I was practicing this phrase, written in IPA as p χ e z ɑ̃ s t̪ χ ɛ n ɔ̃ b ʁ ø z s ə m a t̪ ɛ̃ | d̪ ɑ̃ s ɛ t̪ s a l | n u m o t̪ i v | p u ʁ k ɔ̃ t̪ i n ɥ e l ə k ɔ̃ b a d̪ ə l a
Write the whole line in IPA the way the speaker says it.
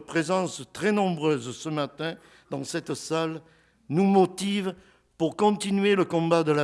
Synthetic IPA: p χ e z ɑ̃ s t̪ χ ɛ n ɔ̃ b ʁ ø z s ə m a t̪ ɛ̃ | d̪ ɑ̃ s ɛ t̪ s a l | n u m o t̪ i v | p u ʁ k ɔ̃ t̪ i n ɥ e l ə k ɔ̃ b a d̪ ə l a